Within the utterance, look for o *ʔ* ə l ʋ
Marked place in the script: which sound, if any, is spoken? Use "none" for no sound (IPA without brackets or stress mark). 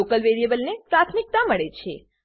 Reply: k